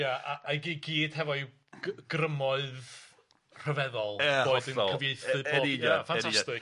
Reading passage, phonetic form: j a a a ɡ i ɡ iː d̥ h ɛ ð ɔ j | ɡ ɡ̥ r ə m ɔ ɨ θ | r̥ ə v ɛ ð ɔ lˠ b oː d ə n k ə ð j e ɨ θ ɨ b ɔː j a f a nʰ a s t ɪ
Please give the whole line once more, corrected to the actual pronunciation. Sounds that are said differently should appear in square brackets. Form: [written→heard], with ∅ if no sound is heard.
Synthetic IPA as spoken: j a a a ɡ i ɡ iː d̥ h ɛ [ð→v] ɔ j | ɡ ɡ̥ r ə m ɔ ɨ [θ→ð] | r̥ ə v ɛ ð ɔ lˠ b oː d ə n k ə [ð→v] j e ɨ θ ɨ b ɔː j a f a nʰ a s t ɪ